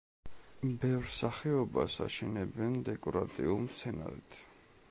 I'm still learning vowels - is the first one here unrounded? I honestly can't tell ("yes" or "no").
yes